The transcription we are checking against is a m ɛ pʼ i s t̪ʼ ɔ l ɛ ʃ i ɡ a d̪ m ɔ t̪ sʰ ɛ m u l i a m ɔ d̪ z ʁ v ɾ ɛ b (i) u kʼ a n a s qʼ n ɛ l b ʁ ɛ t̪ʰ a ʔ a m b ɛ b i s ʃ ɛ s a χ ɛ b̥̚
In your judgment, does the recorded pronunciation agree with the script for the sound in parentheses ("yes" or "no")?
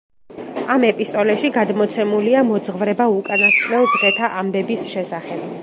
no